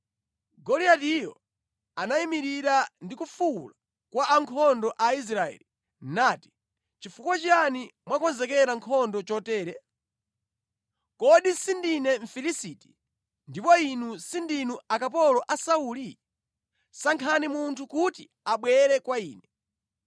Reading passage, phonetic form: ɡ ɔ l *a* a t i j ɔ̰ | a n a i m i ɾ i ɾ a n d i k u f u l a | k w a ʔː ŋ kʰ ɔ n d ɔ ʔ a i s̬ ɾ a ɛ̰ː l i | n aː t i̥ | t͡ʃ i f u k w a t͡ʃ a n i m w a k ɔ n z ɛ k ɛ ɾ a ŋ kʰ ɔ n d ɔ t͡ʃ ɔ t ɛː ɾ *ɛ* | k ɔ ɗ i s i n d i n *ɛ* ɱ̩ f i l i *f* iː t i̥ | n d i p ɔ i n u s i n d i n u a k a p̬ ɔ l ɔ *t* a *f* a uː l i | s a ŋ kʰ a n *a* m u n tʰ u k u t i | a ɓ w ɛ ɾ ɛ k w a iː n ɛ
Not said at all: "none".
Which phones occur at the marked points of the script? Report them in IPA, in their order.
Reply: i, ɛ, ɛ, s, ʔ, s, i

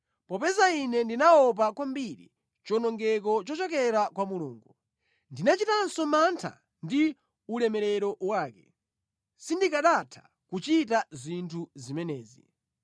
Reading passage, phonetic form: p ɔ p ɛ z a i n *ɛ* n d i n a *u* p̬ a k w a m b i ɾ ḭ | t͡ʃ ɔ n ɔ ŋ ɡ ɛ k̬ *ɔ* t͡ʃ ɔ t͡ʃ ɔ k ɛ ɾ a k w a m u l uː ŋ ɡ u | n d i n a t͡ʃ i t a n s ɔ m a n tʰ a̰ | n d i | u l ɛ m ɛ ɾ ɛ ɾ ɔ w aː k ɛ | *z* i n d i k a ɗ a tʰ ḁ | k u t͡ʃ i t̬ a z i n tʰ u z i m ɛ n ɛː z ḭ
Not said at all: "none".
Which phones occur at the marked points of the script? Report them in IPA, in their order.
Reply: ɛ, ɔ, ɔ, s

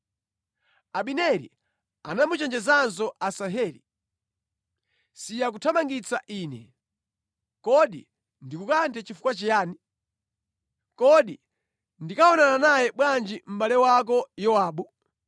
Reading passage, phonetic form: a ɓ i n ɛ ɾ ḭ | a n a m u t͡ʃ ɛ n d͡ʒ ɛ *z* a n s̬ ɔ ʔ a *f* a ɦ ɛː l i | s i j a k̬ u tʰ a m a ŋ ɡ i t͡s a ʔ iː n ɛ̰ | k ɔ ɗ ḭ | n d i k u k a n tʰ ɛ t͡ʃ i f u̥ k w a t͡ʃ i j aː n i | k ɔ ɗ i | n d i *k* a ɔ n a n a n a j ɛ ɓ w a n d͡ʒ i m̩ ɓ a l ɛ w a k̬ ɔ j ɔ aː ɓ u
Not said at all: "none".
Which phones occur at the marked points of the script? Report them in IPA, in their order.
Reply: z, s, k

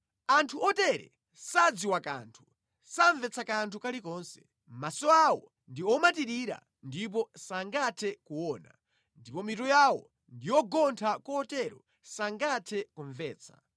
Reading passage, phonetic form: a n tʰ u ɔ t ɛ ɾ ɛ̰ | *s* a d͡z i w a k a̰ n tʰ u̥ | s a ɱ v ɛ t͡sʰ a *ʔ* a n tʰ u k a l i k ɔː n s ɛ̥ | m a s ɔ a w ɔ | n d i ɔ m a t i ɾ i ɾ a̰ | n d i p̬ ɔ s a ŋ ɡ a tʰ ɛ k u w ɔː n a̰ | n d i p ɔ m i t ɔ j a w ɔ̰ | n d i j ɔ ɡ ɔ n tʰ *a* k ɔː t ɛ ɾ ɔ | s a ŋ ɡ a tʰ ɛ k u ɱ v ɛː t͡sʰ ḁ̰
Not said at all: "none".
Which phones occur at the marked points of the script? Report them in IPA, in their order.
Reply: s, k, a

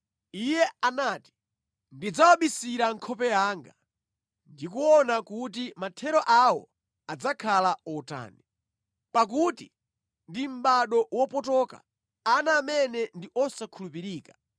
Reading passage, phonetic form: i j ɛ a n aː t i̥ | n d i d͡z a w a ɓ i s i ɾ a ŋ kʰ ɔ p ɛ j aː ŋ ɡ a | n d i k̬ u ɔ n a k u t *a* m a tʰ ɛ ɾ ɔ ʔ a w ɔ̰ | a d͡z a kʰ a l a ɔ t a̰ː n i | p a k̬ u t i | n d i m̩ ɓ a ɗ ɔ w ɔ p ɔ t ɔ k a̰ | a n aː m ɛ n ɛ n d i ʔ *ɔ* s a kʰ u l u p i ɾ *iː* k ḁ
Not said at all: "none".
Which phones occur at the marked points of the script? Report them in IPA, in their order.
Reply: i, ɔ, iː

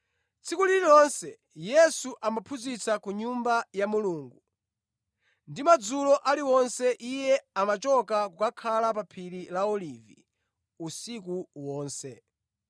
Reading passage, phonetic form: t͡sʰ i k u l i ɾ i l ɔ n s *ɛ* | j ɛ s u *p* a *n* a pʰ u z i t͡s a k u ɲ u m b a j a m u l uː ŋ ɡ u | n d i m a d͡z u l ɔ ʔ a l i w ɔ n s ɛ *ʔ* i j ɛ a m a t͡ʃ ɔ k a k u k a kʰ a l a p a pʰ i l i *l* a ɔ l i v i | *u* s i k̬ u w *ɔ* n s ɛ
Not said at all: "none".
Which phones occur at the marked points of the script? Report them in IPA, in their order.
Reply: ɛ, ʔ, m, ʔ, l, u, ɔː

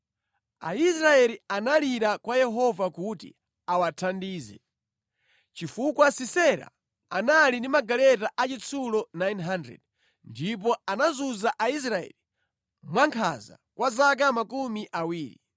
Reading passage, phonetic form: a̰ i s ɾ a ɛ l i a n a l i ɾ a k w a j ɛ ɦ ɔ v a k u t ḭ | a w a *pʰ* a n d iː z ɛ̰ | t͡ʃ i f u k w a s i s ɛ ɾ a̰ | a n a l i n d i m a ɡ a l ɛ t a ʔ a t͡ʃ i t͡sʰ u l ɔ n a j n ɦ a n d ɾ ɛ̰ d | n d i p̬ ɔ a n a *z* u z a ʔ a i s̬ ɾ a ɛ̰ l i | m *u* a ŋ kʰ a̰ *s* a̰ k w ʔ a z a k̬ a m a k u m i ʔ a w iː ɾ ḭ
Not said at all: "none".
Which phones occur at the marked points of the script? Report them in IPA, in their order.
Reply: tʰ, z, w, z

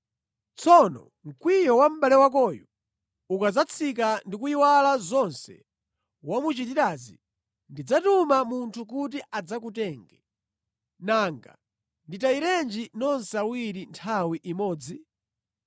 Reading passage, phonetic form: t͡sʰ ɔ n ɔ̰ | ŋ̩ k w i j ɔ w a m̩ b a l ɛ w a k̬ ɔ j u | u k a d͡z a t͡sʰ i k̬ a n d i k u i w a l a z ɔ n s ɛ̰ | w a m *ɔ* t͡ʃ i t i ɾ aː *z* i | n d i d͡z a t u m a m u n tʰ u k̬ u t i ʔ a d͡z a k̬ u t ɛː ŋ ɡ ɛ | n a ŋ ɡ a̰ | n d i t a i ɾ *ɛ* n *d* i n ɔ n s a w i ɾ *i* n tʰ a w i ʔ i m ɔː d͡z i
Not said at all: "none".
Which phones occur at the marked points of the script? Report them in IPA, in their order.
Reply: u, z, ɛ, d͡ʒ, i

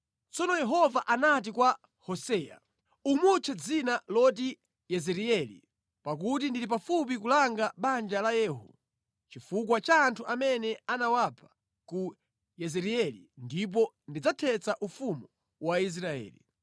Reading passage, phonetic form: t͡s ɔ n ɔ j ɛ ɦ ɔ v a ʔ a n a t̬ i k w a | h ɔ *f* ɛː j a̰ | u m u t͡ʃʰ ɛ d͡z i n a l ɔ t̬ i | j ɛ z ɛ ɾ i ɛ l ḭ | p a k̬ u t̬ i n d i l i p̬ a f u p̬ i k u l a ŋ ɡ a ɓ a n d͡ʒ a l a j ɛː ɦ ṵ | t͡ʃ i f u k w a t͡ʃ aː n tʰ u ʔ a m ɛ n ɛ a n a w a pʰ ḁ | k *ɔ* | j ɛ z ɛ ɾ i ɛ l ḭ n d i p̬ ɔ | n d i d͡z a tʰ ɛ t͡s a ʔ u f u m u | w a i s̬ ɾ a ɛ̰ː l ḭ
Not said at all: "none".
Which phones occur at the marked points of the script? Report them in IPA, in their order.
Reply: s, u

